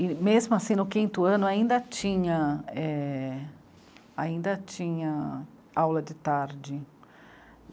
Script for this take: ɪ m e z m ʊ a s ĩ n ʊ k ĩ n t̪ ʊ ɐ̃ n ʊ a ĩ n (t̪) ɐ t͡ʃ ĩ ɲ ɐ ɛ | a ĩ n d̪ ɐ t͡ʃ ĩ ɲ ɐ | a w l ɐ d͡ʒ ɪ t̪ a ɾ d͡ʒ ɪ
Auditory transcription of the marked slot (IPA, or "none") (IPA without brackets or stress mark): d̪